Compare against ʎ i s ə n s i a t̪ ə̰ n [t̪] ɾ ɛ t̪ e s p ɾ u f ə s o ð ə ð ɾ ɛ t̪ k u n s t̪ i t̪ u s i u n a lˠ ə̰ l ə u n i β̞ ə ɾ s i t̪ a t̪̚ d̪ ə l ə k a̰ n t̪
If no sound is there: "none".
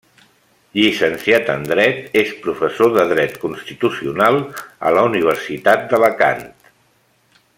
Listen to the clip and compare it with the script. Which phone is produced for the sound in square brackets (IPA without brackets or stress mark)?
d̪